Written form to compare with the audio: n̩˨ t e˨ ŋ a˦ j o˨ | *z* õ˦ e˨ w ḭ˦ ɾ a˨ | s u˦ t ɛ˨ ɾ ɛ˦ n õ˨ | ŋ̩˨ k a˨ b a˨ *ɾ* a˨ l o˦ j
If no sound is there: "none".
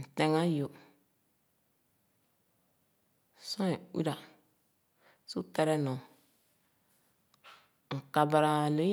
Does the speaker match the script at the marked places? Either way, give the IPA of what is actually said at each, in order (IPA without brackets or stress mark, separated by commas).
s, ɾ